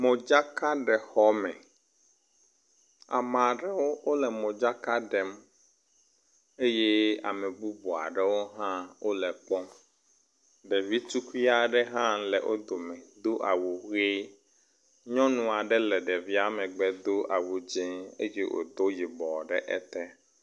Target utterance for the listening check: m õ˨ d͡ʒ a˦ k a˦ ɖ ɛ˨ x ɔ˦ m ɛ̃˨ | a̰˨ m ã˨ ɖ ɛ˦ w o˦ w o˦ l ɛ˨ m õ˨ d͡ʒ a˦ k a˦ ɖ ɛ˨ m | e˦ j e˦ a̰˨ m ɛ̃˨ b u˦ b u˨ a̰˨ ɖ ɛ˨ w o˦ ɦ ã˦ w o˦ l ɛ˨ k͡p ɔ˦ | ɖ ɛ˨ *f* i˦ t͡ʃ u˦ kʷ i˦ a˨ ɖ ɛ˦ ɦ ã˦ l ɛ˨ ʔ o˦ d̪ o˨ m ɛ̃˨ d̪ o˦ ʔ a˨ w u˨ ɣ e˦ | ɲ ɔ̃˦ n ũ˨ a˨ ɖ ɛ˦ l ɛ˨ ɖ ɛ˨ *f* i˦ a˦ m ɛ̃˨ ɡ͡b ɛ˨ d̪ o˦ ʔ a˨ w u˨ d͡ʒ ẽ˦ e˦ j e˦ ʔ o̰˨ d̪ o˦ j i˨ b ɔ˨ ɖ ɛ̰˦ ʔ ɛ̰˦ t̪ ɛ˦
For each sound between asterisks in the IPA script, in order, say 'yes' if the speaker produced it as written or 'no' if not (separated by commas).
no, no